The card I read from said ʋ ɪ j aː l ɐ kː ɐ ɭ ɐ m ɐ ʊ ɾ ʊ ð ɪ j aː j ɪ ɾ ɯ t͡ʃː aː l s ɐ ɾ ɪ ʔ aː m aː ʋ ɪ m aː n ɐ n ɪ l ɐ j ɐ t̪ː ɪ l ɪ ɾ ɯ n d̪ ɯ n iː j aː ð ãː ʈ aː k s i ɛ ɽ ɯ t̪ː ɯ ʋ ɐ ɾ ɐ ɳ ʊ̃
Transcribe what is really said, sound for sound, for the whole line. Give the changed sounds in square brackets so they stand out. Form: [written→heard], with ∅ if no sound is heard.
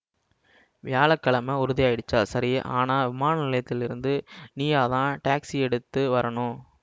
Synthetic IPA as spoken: ʋ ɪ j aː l ɐ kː ɐ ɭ ɐ m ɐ ʊ ɾ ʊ ð ɪ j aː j ɪ [ɾ→ɽ] ɯ t͡ʃː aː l s ɐ ɾ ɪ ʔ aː [m→n] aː ʋ ɪ m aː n ɐ n ɪ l ɐ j ɐ t̪ː ɪ l ɪ ɾ ɯ n d̪ ɯ n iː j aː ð ãː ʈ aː k s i ɛ ɽ ɯ t̪ː ɯ ʋ ɐ ɾ ɐ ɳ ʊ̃